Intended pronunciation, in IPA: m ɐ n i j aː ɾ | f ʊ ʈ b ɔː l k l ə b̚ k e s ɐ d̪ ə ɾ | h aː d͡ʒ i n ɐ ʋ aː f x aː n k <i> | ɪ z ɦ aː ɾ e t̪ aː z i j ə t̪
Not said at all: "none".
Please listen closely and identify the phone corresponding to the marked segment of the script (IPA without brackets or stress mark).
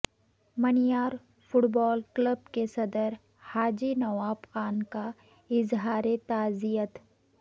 a